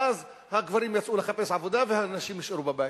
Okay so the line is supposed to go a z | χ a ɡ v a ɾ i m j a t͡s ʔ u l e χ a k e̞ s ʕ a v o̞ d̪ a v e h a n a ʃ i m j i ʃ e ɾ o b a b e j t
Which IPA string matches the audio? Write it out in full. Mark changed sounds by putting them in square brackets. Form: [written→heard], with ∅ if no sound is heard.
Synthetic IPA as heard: a z | [χ→h] a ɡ v a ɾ i m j a t͡s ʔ u l e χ a [k→p] e̞ s ʕ a v o̞ d̪ a v e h a n a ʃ i m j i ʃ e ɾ [o→u] b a b [e→a] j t